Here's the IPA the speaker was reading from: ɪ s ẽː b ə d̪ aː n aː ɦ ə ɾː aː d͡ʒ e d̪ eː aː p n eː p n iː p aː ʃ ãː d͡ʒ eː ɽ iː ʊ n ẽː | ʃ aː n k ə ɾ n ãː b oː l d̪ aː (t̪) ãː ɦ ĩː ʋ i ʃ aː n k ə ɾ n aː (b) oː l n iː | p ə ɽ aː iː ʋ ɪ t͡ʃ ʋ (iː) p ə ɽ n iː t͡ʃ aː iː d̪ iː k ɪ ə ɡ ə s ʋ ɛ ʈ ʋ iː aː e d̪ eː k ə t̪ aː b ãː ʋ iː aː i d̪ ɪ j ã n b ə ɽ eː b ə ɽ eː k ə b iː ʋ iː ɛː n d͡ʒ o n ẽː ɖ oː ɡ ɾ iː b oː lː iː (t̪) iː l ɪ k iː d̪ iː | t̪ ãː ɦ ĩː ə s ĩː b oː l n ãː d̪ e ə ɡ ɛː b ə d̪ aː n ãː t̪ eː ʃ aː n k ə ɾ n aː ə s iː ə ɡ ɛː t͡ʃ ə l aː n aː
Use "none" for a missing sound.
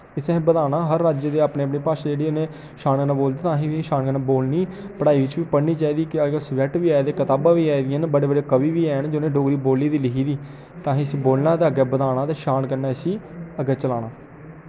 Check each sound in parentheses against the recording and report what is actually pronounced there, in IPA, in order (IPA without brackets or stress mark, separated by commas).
t̪, b, iː, d̪